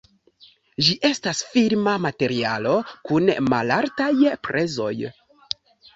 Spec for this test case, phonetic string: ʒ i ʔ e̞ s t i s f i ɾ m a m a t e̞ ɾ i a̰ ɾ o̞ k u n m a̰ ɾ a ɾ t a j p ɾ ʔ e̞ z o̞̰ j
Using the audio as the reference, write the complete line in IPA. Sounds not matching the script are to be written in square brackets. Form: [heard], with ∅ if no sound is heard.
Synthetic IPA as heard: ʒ i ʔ e̞ s t [a] s f i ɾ m a m a t e̞ ɾ i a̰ [l] o̞ k u n m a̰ [l] a ɾ t a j p ɾ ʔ e̞ z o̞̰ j